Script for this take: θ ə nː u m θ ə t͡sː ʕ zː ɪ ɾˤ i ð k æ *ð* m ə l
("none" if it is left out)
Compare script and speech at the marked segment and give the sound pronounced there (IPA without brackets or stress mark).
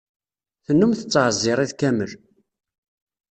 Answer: none